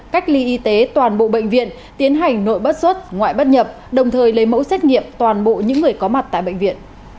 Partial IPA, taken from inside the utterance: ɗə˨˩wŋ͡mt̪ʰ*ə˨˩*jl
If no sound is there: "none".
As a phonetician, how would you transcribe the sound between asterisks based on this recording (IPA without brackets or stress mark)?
əː˨˩